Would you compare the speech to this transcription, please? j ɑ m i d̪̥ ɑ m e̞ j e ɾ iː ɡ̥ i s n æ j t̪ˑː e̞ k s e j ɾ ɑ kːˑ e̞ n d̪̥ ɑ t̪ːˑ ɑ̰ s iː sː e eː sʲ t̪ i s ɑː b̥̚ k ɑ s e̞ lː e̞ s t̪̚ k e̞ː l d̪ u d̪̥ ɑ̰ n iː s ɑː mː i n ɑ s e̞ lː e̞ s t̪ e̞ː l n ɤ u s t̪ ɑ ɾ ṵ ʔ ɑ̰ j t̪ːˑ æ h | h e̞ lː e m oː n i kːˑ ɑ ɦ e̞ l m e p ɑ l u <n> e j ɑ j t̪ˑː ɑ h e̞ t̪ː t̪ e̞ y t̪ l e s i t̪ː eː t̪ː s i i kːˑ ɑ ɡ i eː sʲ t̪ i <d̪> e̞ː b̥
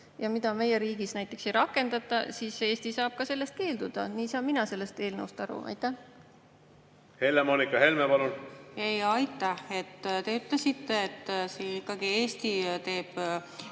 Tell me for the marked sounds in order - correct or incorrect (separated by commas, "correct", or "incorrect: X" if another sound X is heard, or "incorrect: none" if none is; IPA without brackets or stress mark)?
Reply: correct, incorrect: t̪